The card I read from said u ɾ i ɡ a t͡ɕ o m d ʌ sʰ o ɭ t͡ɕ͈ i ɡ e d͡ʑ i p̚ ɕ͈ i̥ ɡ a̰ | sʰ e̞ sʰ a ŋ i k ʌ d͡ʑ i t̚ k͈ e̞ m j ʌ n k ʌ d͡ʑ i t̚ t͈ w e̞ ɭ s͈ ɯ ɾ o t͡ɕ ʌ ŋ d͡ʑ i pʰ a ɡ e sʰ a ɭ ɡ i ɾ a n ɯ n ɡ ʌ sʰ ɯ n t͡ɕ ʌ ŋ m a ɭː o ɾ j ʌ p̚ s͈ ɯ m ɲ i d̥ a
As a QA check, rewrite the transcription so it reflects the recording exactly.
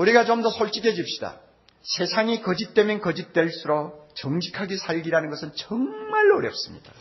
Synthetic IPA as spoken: u ɾ i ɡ a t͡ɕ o m d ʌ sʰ o ɭ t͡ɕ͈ i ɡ e d͡ʑ i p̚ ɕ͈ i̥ d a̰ | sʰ e̞ sʰ a ŋ i k ʌ d͡ʑ i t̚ t͈ e̞ m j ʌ n k ʌ d͡ʑ i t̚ t͈ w e̞ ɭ s͈ u ɾ o t͡ɕ ʌ ŋ d͡ʑ i kʰ a ɡ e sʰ a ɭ ɡ i ɾ a n ɯ n ɡ ʌ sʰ ɯ n t͡ɕ ʌ ŋ m a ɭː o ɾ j ʌ p̚ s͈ ɯ m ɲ i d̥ a